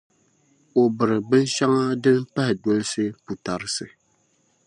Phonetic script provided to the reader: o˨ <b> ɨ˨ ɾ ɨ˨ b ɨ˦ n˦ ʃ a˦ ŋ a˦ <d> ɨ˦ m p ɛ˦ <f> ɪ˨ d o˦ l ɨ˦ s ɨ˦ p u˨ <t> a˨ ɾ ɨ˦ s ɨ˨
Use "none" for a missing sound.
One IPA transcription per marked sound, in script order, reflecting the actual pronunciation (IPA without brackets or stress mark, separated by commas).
b, d, h, t